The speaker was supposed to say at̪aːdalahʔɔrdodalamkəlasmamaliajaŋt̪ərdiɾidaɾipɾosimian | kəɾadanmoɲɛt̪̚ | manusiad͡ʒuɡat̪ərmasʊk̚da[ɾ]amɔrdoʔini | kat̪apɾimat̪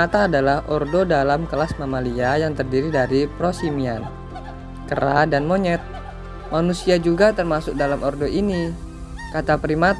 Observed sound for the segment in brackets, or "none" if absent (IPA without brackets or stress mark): l